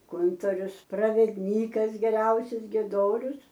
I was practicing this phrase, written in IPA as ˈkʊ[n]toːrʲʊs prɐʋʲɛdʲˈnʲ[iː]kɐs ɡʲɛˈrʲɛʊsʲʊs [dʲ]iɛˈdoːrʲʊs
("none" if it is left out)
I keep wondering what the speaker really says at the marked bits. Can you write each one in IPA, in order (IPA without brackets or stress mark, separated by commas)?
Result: n, iː, ɡʲ